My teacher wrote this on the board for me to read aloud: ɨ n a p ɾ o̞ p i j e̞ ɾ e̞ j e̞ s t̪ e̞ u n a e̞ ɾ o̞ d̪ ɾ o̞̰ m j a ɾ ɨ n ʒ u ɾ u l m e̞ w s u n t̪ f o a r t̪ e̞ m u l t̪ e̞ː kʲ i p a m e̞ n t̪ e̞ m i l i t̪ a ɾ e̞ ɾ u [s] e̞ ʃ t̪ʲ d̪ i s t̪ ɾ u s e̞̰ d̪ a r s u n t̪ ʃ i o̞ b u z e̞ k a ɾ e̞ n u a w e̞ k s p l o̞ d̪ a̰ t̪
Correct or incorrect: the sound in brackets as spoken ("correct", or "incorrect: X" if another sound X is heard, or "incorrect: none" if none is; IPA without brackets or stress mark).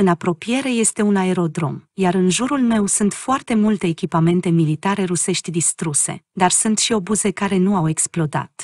correct